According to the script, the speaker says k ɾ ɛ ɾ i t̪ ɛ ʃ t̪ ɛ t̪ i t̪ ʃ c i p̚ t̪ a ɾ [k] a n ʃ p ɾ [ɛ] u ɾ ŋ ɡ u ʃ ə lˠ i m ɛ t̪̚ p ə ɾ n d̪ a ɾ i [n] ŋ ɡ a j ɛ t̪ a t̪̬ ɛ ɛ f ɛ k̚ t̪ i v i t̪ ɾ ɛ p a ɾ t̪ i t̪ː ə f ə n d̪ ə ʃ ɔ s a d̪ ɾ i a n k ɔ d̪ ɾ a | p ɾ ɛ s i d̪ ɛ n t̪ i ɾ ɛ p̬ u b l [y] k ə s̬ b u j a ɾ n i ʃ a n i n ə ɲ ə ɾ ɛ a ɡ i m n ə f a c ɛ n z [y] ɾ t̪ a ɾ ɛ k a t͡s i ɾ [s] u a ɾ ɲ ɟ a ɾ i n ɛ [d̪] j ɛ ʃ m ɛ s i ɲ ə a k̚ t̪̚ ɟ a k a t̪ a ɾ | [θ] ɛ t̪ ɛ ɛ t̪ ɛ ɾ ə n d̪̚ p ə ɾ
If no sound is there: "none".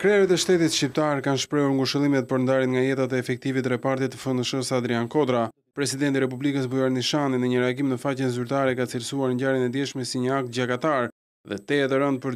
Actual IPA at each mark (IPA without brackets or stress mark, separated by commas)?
k, ɛ, n, i, y, s, d̪, ð